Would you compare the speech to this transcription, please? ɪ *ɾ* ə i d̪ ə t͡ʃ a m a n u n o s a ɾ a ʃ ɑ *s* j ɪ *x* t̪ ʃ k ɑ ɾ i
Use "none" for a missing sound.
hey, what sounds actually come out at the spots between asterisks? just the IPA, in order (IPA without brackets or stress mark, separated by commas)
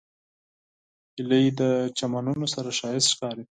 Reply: l, none, s